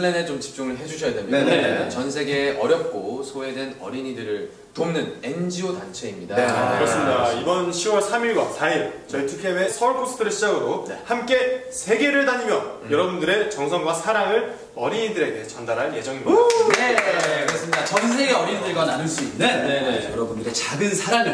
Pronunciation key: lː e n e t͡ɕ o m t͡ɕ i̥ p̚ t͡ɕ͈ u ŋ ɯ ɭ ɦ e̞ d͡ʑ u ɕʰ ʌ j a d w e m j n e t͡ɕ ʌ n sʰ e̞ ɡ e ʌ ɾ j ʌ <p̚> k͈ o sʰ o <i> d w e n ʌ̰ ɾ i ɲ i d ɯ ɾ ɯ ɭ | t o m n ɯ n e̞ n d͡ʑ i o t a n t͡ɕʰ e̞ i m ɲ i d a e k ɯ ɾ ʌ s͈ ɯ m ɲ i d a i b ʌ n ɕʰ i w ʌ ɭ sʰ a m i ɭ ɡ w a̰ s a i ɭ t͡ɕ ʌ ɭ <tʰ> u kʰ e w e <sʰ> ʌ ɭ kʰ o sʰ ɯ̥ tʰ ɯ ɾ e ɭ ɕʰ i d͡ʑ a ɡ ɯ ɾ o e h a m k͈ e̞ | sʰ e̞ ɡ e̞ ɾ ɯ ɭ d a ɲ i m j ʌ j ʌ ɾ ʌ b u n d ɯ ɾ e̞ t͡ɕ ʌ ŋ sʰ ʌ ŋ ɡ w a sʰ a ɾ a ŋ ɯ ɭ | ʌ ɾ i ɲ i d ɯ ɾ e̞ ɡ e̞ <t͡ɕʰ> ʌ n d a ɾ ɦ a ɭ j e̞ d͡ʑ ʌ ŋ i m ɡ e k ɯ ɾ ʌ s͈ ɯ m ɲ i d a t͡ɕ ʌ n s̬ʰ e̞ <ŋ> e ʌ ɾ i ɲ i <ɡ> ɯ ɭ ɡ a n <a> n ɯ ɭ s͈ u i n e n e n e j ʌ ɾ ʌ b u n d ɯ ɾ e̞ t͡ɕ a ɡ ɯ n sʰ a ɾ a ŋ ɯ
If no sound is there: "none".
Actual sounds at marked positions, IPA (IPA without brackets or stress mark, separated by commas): p̚, e, tʰ, sʰ, t͡ɕ, ɡ, d, a